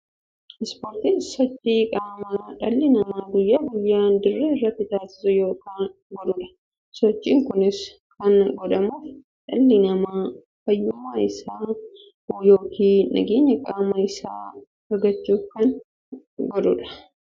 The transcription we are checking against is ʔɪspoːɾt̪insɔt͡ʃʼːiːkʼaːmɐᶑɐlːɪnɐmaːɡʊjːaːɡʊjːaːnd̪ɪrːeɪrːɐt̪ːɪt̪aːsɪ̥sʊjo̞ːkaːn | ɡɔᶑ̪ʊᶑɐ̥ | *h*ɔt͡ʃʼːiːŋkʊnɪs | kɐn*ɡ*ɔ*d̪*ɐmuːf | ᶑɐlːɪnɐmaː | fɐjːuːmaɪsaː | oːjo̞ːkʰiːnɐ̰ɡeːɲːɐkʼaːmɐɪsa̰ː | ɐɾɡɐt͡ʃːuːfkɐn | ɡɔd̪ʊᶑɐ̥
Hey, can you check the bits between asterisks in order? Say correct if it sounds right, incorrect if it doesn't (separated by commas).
incorrect, correct, correct